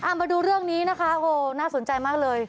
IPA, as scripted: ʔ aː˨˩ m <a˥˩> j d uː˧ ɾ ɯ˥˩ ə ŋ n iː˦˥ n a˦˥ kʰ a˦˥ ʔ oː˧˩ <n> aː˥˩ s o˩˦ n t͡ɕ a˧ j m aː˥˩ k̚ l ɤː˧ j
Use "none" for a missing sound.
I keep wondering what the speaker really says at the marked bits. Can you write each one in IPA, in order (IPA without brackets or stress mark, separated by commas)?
a˧, n